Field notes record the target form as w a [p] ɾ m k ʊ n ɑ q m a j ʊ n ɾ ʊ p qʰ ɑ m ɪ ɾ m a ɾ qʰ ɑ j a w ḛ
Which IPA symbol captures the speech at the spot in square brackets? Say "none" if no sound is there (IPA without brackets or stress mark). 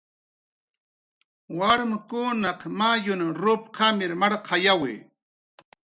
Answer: none